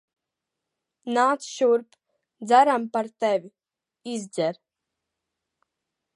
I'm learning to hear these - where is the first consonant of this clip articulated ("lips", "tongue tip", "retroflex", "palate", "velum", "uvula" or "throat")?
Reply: tongue tip